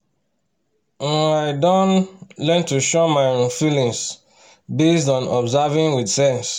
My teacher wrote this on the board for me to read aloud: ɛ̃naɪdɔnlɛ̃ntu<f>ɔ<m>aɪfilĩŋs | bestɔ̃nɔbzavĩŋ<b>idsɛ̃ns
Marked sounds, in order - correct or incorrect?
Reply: incorrect: ʃ, correct, incorrect: w

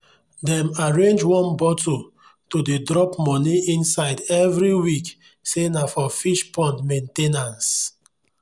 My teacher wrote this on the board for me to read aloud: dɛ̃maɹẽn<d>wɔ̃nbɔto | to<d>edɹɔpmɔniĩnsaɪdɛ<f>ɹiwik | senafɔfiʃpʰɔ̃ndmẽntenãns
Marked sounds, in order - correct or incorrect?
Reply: incorrect: d͡ʒ, correct, incorrect: v

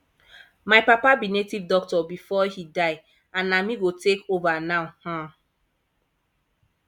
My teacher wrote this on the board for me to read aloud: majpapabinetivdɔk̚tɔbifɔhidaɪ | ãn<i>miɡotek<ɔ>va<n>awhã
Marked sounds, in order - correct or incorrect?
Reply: incorrect: a, incorrect: o, correct

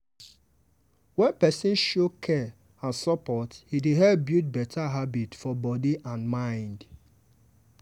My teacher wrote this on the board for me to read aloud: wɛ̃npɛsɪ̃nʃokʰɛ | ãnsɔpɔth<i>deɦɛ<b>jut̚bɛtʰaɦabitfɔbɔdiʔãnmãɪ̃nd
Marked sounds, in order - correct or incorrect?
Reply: correct, correct

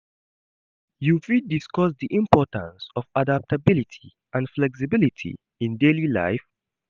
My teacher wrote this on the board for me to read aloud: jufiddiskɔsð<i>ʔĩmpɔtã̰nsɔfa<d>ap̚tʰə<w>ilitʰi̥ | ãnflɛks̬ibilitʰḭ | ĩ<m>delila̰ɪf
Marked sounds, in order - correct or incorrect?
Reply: correct, correct, incorrect: b, incorrect: n

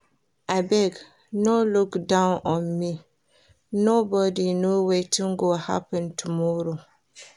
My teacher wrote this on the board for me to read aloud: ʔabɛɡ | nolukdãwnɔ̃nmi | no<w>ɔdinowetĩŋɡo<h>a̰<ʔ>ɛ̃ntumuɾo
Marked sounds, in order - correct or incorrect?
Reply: incorrect: b, correct, incorrect: p

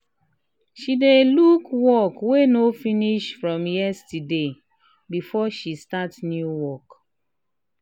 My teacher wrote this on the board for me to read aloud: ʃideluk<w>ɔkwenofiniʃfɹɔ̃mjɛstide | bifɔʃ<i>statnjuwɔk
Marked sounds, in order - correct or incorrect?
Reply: correct, correct

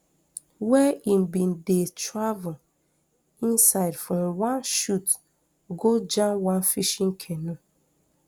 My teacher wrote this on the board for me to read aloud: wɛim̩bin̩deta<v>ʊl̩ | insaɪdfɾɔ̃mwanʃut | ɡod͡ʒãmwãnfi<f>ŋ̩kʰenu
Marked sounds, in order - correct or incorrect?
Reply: correct, incorrect: ʃ

